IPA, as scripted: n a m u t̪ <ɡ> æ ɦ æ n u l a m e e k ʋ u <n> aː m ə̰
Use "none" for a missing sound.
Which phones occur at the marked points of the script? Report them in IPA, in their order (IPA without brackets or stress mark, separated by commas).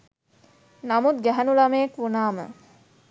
ɡ, n